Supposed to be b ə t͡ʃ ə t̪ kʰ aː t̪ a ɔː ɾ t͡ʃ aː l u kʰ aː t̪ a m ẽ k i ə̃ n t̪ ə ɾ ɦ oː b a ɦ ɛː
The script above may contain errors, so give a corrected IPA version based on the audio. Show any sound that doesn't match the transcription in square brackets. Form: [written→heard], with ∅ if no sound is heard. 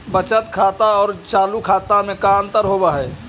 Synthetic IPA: b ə t͡ʃ ə t̪ kʰ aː t̪ a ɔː ɾ t͡ʃ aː l u kʰ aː t̪ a m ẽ k [i→a] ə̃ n t̪ ə ɾ ɦ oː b a ɦ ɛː